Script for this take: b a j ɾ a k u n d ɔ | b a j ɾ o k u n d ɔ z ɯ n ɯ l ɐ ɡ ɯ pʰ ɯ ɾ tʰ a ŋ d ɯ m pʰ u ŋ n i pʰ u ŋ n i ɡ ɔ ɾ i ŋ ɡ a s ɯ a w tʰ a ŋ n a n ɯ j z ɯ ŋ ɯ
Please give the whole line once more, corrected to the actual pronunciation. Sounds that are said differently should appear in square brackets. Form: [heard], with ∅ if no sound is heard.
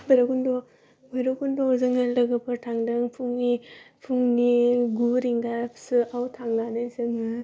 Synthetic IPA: b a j ɾ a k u n d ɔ | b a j ɾ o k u n d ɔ z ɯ [ŋ] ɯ l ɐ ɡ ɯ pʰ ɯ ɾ tʰ a ŋ d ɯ [ŋ] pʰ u ŋ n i pʰ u ŋ n i ɡ [u] ɾ i ŋ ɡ a s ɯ a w tʰ a ŋ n a n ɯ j z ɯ ŋ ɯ

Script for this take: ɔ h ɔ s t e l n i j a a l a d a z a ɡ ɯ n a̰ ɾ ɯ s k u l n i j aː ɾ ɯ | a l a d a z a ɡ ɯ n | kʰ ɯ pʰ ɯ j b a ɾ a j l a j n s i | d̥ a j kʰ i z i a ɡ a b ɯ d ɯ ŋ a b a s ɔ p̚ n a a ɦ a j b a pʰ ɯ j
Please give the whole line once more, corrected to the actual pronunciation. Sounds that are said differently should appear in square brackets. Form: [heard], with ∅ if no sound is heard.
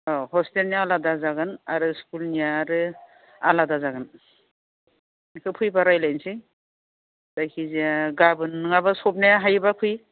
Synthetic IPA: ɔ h ɔ s t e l n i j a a l a d a z a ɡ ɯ n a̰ ɾ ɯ s k u l n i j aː ɾ ɯ | a l a d a z a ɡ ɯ n | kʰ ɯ pʰ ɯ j b a ɾ a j l a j n s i | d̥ a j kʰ i z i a ɡ a b ɯ [n] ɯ ŋ a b a s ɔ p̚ n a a ɦ a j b a pʰ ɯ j

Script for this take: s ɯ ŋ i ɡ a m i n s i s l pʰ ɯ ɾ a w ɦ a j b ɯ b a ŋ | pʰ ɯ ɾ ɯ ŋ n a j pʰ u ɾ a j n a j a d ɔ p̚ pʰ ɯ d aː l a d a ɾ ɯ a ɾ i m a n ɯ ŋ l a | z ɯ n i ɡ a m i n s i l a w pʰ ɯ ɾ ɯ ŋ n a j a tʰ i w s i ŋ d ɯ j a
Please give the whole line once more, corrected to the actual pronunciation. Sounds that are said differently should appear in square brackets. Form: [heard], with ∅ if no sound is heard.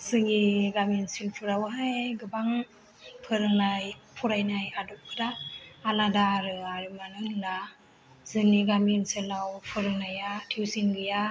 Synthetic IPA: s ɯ ŋ i ɡ a m i n s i [∅] l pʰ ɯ ɾ a w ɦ a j [ɡ] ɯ b a ŋ | pʰ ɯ ɾ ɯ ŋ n a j pʰ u ɾ a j n a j a d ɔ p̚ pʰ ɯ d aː l a d a ɾ ɯ a ɾ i m a n ɯ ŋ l a | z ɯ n i ɡ a m i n s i l a w pʰ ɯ ɾ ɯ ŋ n a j a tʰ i w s i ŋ [ɡ] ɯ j a

